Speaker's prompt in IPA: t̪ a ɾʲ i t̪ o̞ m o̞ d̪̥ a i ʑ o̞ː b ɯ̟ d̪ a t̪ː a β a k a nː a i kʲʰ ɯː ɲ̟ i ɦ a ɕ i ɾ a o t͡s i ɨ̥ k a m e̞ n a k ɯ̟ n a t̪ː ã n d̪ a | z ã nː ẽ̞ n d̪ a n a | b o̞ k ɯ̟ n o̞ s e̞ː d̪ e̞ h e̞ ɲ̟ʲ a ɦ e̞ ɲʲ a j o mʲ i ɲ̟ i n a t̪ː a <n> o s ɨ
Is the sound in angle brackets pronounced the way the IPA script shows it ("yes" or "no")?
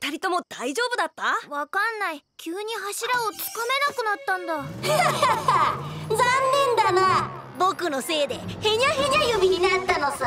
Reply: yes